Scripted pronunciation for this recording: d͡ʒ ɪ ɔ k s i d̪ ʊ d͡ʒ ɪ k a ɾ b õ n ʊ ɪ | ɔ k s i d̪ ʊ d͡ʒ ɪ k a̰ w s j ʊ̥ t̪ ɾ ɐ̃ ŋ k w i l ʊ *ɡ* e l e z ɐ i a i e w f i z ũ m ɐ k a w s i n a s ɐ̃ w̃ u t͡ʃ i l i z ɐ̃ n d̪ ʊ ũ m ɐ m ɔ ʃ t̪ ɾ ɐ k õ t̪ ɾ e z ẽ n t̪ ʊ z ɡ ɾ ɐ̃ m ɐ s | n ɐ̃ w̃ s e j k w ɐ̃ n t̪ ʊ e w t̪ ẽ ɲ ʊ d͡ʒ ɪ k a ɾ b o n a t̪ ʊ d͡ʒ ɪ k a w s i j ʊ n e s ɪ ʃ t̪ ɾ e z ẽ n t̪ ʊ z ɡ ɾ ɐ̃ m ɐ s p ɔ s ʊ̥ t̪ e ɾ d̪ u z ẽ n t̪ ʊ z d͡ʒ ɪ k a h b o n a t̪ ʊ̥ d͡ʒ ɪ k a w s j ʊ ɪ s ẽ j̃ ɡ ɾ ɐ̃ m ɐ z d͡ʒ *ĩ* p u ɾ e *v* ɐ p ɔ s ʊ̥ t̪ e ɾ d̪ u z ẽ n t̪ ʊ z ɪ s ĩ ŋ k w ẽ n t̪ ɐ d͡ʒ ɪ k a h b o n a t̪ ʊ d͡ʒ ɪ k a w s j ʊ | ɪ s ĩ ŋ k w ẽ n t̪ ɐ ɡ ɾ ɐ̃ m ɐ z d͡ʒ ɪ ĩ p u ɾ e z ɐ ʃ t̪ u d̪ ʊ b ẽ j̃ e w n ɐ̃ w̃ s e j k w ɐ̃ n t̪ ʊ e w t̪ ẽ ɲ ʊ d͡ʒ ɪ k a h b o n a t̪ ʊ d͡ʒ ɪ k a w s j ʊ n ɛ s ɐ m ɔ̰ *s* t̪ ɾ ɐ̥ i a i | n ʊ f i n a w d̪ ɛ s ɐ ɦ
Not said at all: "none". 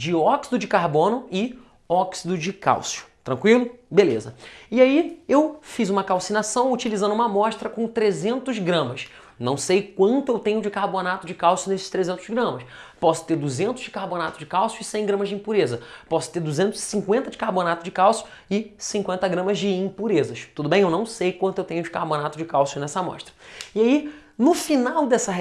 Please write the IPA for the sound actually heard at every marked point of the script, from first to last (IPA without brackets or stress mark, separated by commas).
b, ĩ, z, ʃ